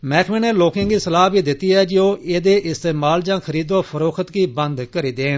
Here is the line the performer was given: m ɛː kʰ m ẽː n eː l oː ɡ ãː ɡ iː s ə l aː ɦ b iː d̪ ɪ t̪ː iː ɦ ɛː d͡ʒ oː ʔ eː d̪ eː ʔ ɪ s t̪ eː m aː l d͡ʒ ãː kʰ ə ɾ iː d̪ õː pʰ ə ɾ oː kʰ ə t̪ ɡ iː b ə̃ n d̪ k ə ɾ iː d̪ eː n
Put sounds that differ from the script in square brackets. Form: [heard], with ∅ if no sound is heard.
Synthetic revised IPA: m ɛː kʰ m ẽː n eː l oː [k] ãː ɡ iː s ə l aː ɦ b iː d̪ ɪ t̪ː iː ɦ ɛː d͡ʒ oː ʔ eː d̪ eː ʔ ɪ s t̪ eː m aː l d͡ʒ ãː kʰ ə ɾ iː d̪ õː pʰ ə ɾ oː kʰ ə t̪ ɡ iː b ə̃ n d̪ k ə ɾ iː d̪ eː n